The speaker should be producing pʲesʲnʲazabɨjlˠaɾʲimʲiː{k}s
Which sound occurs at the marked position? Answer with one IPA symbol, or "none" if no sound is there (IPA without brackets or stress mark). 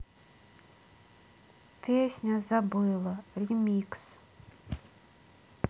k